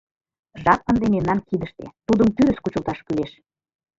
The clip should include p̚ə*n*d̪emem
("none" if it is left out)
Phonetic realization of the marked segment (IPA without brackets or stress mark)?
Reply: n